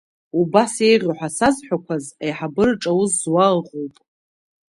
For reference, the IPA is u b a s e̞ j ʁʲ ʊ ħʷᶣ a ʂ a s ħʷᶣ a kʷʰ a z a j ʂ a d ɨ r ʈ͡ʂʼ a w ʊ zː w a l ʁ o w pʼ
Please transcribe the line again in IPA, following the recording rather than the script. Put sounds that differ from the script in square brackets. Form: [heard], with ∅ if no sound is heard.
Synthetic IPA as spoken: u b a s e̞ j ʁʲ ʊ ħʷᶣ a [s] a [z] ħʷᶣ a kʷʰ a z a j [ħ] a [b] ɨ r ʈ͡ʂʼ a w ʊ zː w a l ʁ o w pʼ